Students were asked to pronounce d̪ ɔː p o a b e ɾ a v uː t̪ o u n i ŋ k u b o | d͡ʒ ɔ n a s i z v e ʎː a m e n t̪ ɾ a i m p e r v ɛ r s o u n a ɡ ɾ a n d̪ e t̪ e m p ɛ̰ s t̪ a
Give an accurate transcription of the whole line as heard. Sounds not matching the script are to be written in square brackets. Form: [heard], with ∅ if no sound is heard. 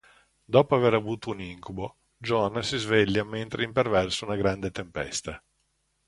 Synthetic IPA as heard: d̪ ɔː p o a [v] e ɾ a v uː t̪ o u n i ŋ k u b o | d͡ʒ ɔ n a s i z v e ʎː a m e n t̪ ɾ [e] i m p e r v ɛ r s o u n a ɡ ɾ a n d̪ e t̪ e m p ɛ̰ s t̪ a